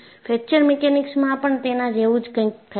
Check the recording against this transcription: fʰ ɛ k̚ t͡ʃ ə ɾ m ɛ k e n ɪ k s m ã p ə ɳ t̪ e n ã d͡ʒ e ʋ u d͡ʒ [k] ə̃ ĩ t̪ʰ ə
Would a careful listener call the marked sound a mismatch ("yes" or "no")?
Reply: no